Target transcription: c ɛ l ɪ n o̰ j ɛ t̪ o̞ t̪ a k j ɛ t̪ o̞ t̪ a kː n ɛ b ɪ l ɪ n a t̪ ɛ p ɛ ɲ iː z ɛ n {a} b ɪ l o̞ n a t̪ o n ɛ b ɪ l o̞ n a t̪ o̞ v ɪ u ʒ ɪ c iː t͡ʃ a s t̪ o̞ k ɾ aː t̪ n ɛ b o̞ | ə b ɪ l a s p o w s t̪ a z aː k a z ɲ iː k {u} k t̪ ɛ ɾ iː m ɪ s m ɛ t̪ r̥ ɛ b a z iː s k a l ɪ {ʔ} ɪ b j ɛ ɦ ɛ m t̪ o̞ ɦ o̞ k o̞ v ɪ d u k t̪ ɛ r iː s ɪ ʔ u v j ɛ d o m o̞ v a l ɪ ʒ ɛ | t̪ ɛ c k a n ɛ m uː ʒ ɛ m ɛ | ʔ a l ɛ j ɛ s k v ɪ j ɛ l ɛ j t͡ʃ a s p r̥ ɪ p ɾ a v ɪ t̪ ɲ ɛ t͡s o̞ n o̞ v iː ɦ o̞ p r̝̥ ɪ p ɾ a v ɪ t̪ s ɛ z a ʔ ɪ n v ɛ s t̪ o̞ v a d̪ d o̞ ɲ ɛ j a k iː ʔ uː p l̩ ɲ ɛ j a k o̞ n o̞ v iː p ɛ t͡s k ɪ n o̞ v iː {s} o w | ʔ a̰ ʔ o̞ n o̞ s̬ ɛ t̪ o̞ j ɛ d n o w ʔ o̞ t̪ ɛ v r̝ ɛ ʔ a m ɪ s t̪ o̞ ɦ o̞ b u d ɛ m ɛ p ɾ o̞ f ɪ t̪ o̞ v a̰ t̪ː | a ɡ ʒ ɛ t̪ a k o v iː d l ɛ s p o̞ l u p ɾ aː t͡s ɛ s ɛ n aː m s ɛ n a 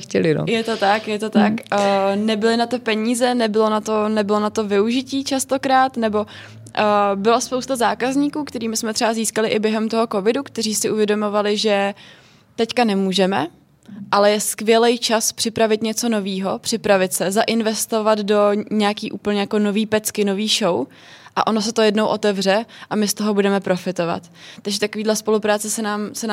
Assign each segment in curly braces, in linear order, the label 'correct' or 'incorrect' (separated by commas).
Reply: incorrect, incorrect, correct, incorrect